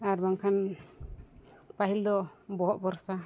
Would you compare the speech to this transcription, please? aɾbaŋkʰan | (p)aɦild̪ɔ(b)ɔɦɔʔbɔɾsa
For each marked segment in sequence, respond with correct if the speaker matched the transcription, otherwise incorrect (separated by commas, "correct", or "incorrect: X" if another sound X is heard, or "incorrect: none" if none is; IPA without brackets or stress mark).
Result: correct, correct